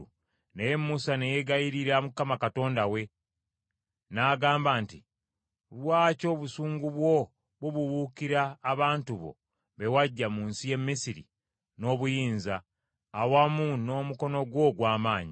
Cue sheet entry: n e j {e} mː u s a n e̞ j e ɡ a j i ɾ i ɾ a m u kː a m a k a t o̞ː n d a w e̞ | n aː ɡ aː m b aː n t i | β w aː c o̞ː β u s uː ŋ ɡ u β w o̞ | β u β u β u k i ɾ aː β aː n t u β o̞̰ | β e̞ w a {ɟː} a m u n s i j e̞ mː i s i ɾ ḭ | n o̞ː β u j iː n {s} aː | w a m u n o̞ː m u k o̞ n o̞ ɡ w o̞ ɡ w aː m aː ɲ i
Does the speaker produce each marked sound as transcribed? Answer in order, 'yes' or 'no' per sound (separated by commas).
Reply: yes, yes, no